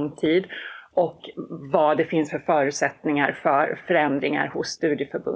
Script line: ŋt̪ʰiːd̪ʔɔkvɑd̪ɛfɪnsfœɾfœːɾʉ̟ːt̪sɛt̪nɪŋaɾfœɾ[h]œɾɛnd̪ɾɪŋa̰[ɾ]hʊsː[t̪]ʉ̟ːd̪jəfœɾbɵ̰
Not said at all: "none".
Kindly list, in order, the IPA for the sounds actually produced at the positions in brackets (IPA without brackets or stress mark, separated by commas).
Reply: f, ɾ, t̪